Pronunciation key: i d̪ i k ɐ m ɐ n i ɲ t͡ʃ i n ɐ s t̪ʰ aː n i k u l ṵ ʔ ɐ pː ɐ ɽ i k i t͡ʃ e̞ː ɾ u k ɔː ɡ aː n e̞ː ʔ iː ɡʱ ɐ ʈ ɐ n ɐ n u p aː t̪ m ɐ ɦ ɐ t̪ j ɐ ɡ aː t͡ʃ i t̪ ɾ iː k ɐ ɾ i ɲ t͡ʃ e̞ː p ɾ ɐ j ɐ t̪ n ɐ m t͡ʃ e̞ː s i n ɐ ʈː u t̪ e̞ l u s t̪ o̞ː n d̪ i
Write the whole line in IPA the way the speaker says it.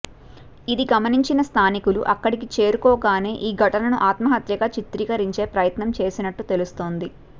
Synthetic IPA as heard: i d̪ i ɡ ɐ m ɐ n i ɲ t͡ʃ i n ɐ s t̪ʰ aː n i k u l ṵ ʔ ɐ kː ɐ ɽ i k i t͡ʃ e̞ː ɾ u k ɔː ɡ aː n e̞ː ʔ iː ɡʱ ɐ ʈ ɐ n ɐ n u ʔ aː t̪ m ɐ ɦ ɐ t̪ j ɐ ɡ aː t͡ʃ i t̪ ɾ iː k ɐ ɾ i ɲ t͡ʃ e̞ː p ɾ ɐ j ɐ t̪ n ɐ m t͡ʃ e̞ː s i n ɐ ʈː u t̪ e̞ l u s t̪ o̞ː n d̪ i